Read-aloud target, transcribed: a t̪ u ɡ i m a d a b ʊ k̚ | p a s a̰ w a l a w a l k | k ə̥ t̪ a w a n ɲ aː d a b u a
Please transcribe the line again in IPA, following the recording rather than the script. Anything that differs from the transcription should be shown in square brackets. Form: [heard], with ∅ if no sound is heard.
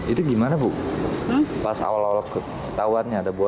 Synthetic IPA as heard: [i] t̪ u ɡ i m a [n] a b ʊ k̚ | p a s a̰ w a l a w a l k | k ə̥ t̪ a w a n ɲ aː d a b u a